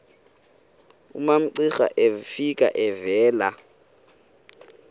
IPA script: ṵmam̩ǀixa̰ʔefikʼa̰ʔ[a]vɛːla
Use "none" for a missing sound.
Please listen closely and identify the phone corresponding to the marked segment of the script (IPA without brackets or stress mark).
ɛ